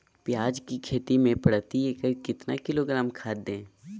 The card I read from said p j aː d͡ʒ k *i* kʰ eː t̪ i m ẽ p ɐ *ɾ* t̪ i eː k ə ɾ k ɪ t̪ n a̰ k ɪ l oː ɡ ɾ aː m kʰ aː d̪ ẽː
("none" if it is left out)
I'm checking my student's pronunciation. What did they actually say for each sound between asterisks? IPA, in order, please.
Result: i, ɽ

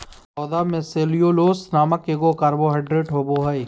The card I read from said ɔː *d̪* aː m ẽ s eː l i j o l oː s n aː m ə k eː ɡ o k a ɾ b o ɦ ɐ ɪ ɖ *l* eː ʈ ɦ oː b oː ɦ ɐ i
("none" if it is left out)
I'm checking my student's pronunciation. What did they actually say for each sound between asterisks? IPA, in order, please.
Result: d̪, ɾ

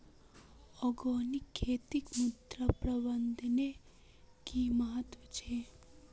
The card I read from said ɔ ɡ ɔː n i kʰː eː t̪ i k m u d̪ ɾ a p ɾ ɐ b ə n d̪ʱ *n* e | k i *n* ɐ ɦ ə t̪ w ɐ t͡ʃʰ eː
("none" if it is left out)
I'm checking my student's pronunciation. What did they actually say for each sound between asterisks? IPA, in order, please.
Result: n, m

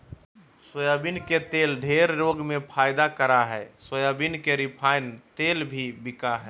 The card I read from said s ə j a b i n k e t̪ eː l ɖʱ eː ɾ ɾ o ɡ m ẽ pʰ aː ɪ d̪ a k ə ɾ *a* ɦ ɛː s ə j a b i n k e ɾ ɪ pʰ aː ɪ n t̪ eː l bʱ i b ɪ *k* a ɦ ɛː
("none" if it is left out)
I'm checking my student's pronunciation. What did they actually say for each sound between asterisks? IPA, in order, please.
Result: a, k

